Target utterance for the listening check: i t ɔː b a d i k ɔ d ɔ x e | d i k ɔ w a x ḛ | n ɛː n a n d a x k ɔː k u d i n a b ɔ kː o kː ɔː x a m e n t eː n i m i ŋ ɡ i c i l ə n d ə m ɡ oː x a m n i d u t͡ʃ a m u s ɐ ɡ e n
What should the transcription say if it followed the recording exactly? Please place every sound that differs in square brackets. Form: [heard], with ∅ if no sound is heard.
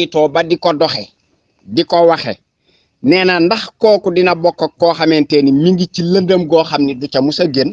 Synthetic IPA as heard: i t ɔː b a d i k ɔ d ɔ x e | d i k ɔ w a x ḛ | n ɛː n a n d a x k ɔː k u d i n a b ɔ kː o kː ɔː x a m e n t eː n i m i ŋ ɡ i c i l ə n d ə m ɡ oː x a m n i d u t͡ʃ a m u s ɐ ɡ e n